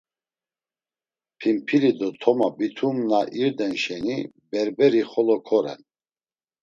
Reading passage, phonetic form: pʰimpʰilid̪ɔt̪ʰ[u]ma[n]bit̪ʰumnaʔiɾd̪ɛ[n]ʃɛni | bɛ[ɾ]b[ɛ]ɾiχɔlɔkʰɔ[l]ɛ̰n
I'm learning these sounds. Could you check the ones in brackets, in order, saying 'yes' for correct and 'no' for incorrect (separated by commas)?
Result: no, no, yes, yes, yes, no